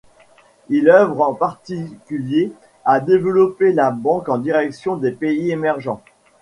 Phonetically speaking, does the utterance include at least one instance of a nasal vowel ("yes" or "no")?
yes